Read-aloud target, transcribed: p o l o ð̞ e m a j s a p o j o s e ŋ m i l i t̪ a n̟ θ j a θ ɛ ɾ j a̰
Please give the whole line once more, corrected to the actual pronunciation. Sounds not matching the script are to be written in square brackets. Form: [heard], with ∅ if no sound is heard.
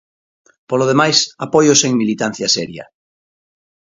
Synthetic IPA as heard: p o l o ð̞ e m a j s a p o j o s e ŋ m i l i t̪ a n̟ θ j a [s] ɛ ɾ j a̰

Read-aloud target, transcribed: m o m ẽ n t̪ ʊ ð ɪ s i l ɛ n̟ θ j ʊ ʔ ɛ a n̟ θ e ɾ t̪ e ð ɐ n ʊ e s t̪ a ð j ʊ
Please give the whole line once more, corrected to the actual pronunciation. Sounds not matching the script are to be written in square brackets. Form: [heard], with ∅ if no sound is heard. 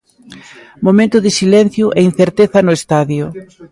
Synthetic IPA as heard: m o m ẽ n t̪ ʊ ð ɪ s i l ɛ n̟ θ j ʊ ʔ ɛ [i] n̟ θ e ɾ t̪ e [θ] ɐ n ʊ e s t̪ a ð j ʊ

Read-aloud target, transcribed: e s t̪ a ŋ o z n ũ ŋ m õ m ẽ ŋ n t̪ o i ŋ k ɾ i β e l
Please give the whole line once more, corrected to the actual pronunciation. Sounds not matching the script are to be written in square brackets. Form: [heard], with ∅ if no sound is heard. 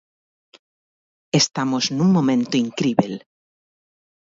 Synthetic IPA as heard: e s t̪ a [m] o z n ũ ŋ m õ m ẽ [∅] n t̪ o i ŋ k ɾ i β e l

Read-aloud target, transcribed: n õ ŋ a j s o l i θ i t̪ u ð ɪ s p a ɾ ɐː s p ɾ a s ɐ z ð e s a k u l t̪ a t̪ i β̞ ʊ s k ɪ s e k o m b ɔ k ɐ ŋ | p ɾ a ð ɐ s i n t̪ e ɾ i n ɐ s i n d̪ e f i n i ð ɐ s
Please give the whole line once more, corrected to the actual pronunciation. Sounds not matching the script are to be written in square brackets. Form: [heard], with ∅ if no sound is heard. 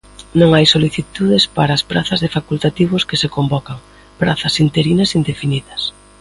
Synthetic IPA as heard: n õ ŋ a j s o l i θ i t̪ u ð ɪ s p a ɾ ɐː s p ɾ a [θ] ɐ z ð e [f] a k u l t̪ a t̪ i β̞ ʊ s k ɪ s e k o m b ɔ k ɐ ŋ | p ɾ a [θ] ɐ s i n t̪ e ɾ i n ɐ s i n d̪ e f i n i ð ɐ s

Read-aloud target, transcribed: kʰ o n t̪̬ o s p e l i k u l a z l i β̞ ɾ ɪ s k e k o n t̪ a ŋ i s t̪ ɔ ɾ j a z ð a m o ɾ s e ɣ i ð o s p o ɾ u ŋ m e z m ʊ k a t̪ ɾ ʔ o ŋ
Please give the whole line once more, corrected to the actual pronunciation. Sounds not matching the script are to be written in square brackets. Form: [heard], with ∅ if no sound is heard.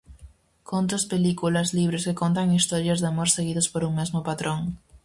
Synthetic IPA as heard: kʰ o n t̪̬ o s p e l i k u l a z l i β̞ ɾ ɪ s k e k o n t̪ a ŋ i s t̪ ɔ ɾ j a z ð a m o ɾ s e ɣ i ð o s p o ɾ u ŋ m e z m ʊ [p] a t̪ ɾ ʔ o ŋ

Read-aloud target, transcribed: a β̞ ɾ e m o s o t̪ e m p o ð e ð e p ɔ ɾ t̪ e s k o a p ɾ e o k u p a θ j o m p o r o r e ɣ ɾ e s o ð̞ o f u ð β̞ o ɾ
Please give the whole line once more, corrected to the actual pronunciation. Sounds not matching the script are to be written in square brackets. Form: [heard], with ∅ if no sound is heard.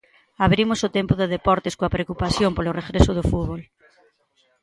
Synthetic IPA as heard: a β̞ ɾ [i] m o s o t̪ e m p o ð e ð e p ɔ ɾ t̪ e s k o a p ɾ e o k u p a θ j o m p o [l] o r e ɣ ɾ e s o ð̞ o f u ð β̞ o [l]

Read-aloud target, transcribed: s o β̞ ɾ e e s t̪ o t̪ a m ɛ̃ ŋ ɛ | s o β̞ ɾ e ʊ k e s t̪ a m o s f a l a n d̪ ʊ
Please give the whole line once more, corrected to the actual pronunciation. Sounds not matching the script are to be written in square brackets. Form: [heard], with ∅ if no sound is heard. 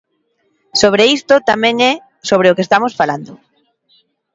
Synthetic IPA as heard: s o β̞ ɾ e [i] s t̪ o t̪ a m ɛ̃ ŋ ɛ | s o β̞ ɾ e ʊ k e s t̪ a m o s f a l a n d̪ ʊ

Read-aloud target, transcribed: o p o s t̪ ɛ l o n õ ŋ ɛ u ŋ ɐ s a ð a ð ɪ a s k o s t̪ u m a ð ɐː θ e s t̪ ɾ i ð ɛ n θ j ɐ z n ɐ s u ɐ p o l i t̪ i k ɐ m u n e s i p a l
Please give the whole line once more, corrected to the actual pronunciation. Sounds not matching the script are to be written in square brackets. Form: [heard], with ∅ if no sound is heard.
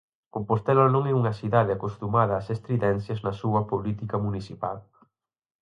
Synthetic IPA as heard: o p o s t̪ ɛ l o n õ ŋ ɛ u ŋ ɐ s [i] ð a ð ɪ a [∅] k o s t̪ u m a ð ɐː [s] e s t̪ ɾ i ð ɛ n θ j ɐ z n ɐ s u ɐ p o l i t̪ i k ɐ m u n [i] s i p a l

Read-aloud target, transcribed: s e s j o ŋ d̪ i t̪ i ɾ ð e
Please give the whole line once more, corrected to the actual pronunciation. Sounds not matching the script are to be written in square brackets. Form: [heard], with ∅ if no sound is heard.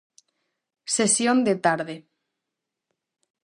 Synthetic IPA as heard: s e s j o [n] d̪ [e] t̪ [a] ɾ ð e

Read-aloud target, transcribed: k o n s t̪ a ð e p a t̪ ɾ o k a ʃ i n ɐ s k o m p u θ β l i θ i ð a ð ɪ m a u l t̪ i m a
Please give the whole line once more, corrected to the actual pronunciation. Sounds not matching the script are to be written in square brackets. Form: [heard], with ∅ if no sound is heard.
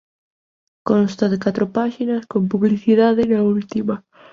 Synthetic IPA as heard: k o n s t̪ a ð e [k] a t̪ ɾ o [p] a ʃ i n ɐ s k o m p u [∅] β l i θ i ð a ð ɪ [n] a u l t̪ i m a

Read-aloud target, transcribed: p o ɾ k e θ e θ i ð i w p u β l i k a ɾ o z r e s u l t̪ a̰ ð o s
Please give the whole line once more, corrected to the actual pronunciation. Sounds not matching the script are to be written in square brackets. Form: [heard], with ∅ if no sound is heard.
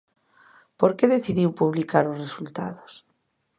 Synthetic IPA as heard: p o ɾ k e [ð] e θ i ð i w p u β l i k a ɾ o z r e s u l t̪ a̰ ð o s

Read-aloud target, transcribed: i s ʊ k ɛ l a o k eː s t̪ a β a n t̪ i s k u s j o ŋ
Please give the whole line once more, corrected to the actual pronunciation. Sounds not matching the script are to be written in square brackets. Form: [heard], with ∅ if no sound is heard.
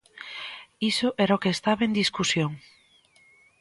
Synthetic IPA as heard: i s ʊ [ʔ] ɛ [ɾ] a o k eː s t̪ a β [e] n [d̪] i s k u s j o ŋ

